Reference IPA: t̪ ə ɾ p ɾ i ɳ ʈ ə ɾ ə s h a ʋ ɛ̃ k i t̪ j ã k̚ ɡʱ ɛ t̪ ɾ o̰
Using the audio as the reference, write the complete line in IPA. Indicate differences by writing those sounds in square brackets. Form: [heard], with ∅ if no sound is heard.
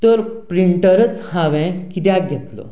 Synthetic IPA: t̪ ə ɾ p ɾ i ɳ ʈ ə ɾ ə [t͡s] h a ʋ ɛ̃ k i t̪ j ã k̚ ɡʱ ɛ t̪ [l] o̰